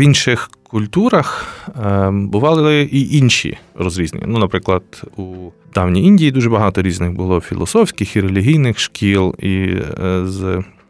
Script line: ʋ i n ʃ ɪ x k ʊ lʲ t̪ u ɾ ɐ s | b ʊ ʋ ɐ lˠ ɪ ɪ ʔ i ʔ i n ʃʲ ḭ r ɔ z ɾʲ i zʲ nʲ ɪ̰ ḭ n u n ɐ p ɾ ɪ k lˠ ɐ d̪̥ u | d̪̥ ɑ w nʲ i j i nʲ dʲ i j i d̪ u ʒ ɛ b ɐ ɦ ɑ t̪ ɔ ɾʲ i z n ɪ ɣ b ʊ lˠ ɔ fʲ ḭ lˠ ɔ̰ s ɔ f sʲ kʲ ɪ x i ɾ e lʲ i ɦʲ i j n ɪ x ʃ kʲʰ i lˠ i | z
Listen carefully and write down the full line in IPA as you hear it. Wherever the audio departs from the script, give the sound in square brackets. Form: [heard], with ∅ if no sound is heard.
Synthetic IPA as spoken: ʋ i n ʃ ɪ x k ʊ lʲ t̪ u ɾ ɐ [x] | b ʊ ʋ [ɑ] lˠ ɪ ɪ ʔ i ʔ i n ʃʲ ḭ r ɔ z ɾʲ i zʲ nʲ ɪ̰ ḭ n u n ɐ p ɾ ɪ k lˠ ɐ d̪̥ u | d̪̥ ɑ w nʲ i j i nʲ dʲ i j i d̪ u ʒ ɛ b ɐ ɦ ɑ t̪ ɔ ɾʲ i z n ɪ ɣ b ʊ lˠ ɔ fʲ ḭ lˠ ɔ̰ s ɔ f sʲ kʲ ɪ x i ɾ e lʲ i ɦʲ i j n ɪ x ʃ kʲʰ i lˠ i | z